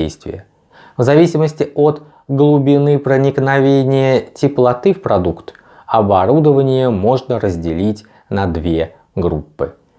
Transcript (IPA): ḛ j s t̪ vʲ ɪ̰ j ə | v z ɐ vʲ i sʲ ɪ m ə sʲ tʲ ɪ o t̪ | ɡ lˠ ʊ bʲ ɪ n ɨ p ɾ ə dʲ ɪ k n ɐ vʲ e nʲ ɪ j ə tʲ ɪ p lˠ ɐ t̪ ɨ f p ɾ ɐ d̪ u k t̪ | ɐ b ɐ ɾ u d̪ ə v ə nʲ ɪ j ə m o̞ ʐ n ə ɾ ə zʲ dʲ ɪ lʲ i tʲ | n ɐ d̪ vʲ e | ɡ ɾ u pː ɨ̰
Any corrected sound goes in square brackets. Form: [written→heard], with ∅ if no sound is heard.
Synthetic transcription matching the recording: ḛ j s t̪ vʲ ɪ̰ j ə | v z ɐ vʲ i sʲ ɪ m ə sʲ tʲ ɪ o t̪ | ɡ lˠ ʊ bʲ ɪ n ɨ p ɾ ə [dʲ→nʲ] ɪ k n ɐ vʲ e nʲ ɪ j ə tʲ ɪ p lˠ ɐ t̪ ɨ f p ɾ ɐ d̪ u k t̪ | ɐ b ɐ ɾ u d̪ ə v ə nʲ ɪ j ə m o̞ ʐ n ə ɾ ə zʲ dʲ ɪ lʲ i tʲ | n ɐ d̪ vʲ e | ɡ ɾ u pː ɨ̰